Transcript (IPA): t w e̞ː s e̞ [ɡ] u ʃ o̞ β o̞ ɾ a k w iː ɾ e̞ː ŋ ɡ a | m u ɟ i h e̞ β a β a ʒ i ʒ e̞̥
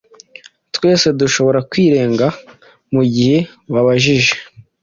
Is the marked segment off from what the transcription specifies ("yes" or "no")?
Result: yes